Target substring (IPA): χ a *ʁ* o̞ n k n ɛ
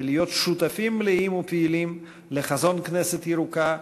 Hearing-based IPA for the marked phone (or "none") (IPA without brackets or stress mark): z